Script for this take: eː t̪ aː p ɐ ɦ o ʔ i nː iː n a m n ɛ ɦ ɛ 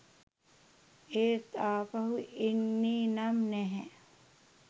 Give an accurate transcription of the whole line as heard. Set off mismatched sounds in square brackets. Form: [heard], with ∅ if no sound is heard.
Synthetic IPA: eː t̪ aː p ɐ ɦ [u] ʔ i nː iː n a m n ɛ ɦ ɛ